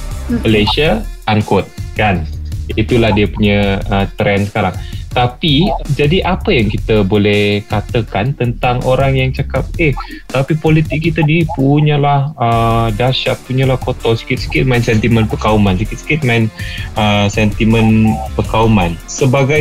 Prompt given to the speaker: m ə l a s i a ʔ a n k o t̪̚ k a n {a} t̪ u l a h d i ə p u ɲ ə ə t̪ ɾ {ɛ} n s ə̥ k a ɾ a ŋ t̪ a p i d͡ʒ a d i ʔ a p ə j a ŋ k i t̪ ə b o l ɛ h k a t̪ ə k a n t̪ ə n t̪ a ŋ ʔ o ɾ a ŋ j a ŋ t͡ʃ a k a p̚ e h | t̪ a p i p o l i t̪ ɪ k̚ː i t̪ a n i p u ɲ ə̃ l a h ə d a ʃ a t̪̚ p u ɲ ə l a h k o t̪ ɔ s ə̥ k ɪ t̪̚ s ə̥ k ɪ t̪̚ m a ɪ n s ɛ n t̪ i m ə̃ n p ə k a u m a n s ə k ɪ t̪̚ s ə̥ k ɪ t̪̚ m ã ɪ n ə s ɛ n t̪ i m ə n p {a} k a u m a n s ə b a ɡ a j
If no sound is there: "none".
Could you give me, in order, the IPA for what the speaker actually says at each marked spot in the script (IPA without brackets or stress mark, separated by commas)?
i, ɛ, ə